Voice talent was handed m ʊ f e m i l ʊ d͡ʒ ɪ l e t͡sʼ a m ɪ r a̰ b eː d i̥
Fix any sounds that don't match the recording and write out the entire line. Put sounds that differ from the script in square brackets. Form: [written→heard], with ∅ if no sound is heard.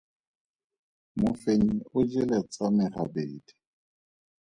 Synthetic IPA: m ʊ f e [m→ɲ] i [l→∅] ʊ d͡ʒ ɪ l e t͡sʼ a m ɪ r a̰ b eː d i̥